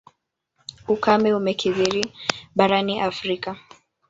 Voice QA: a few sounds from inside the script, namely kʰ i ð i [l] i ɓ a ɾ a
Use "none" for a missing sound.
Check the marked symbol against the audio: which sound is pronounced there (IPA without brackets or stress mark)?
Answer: ɾ